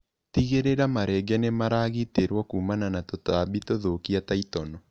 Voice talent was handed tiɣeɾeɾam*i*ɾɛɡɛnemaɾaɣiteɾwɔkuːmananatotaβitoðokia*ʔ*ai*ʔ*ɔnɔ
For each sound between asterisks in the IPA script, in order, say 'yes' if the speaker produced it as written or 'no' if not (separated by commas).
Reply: no, no, no